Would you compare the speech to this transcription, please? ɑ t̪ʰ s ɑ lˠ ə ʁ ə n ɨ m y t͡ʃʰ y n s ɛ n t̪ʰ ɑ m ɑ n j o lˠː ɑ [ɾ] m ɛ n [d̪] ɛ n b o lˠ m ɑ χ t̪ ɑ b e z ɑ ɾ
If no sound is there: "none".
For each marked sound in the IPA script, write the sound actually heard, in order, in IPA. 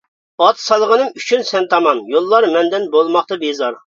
ɾ, d̪

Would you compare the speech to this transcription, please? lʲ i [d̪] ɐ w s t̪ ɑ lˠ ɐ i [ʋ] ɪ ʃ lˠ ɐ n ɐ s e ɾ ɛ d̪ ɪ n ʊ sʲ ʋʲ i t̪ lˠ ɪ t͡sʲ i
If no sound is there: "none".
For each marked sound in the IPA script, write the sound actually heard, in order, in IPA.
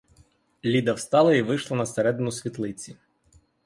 d̪, ʋ

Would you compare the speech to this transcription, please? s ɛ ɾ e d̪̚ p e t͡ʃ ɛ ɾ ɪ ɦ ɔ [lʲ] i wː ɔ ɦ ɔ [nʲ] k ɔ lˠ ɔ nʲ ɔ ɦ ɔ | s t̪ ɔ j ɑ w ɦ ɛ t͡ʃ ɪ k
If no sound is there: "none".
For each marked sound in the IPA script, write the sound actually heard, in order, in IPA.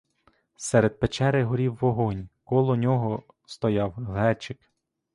ɾʲ, nʲ

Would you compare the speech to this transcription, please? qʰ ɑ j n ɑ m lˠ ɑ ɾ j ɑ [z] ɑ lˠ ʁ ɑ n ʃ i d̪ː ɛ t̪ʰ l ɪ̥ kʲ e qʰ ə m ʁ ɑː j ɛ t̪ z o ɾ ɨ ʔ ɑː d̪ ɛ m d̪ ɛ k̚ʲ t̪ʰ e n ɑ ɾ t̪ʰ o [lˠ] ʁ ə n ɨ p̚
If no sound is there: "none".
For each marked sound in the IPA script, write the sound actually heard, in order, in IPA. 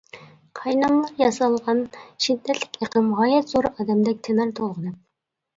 s, lˠ

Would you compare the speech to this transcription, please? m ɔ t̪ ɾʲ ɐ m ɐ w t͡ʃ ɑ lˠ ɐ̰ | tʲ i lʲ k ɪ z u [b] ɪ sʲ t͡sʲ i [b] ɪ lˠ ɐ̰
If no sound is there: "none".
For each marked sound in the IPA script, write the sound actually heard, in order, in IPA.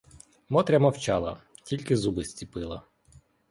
b, p

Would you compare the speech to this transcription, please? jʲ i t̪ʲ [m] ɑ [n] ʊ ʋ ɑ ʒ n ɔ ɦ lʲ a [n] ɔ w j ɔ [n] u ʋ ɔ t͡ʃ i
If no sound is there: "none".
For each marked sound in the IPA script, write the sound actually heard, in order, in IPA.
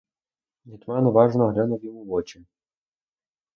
m, n, n, m

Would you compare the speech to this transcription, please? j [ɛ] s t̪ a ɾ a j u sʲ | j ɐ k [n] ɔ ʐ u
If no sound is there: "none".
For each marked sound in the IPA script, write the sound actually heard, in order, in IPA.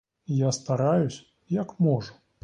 a, m

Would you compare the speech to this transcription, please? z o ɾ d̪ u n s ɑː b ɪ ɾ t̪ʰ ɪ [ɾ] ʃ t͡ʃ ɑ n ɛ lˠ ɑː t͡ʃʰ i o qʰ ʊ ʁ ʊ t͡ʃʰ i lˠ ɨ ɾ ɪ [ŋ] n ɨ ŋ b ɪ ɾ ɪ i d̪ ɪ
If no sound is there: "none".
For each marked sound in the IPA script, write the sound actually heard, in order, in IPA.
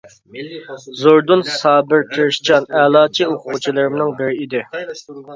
ɾ, m

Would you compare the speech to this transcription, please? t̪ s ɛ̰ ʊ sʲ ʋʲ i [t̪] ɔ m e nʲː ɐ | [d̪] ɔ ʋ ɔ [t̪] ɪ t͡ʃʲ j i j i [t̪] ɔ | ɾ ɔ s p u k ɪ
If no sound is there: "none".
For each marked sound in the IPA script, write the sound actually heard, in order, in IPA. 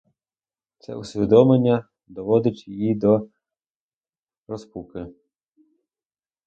d̪, d̪, d̪, d̪

